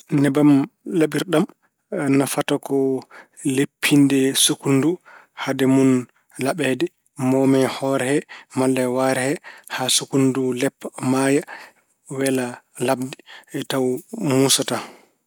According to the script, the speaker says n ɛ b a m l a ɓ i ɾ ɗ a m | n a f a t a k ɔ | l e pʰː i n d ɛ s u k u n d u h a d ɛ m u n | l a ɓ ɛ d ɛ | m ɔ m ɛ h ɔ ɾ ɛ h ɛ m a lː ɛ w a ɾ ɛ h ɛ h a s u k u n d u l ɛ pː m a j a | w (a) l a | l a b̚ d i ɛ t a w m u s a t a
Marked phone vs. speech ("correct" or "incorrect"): incorrect